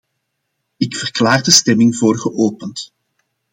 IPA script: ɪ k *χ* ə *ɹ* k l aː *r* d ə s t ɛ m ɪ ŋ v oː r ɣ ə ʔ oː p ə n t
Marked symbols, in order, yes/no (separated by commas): no, no, yes